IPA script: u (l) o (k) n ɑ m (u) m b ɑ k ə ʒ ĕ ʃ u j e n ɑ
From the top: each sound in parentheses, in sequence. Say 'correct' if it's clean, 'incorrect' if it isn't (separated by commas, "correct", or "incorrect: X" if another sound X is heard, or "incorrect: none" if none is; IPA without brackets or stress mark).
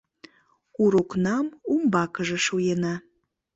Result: incorrect: ɾ, correct, correct